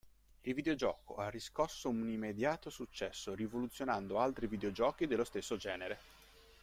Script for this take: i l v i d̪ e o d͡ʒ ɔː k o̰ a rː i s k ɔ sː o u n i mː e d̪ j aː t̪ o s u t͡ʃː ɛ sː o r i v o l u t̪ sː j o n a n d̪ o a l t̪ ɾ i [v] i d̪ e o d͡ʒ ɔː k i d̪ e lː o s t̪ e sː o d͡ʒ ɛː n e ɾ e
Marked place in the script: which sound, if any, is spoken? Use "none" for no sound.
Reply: v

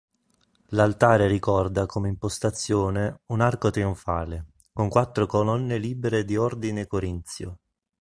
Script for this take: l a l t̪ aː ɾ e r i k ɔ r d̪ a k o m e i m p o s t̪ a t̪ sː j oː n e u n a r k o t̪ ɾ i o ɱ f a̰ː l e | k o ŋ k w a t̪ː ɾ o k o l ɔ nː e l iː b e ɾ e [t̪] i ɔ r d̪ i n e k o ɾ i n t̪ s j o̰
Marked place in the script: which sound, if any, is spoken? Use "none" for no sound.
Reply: d̪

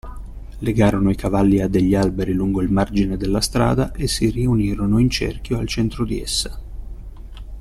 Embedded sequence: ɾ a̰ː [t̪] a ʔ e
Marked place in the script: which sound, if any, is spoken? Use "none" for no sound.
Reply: d̪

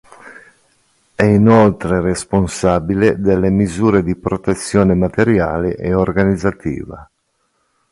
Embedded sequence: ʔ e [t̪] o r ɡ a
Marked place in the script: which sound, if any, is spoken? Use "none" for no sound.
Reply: none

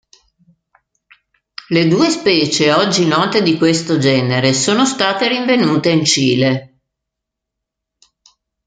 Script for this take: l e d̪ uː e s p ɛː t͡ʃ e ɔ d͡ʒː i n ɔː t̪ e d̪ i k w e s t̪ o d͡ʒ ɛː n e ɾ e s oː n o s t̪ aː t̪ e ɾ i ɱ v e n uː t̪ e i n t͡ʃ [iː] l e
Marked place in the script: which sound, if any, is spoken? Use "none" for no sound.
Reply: iː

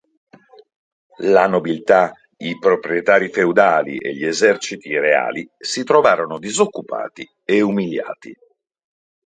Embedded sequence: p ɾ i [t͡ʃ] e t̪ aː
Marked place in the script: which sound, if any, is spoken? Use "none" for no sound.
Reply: none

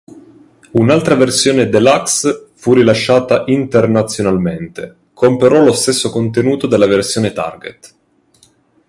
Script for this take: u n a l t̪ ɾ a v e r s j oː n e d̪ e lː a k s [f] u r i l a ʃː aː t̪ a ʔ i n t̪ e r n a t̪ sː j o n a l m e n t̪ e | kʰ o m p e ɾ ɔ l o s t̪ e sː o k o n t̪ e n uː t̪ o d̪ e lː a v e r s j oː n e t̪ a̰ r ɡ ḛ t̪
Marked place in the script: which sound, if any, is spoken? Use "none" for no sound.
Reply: f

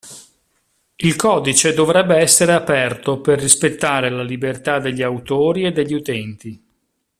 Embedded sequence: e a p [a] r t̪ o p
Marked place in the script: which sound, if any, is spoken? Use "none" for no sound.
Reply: ɛ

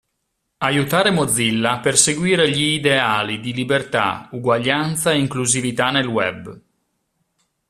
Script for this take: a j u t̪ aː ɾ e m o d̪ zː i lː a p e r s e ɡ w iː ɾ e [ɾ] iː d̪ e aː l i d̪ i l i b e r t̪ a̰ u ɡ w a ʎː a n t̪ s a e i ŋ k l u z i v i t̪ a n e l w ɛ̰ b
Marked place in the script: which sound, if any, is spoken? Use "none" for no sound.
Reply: ʎ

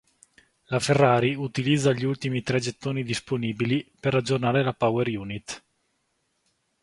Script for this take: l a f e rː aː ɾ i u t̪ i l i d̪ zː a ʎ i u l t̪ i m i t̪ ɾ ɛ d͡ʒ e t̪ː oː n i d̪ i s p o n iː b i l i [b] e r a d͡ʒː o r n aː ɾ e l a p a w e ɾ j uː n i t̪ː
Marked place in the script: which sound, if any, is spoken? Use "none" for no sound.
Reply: p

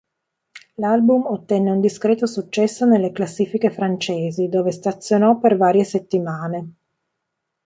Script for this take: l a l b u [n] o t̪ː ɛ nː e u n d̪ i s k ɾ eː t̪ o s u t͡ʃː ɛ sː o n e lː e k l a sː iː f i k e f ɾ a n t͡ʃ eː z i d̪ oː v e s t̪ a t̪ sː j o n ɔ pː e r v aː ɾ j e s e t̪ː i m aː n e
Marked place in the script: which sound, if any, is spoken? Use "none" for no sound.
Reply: m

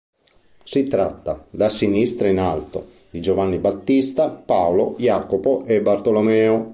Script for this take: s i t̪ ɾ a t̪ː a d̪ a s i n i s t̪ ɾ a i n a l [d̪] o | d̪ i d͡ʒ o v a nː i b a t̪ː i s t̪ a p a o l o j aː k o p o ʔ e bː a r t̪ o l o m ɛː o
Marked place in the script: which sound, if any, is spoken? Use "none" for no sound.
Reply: t̪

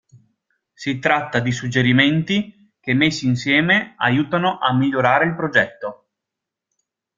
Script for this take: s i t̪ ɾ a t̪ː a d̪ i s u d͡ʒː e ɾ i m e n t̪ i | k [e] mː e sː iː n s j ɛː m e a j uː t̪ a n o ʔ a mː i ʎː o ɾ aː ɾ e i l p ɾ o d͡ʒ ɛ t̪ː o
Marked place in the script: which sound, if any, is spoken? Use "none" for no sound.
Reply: e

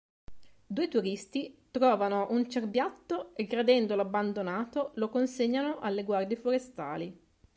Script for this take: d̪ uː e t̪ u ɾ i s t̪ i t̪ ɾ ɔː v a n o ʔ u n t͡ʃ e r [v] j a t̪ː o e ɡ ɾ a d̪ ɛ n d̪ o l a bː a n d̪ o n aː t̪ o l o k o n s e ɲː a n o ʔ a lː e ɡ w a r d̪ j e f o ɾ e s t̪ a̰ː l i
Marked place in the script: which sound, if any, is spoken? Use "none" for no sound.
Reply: b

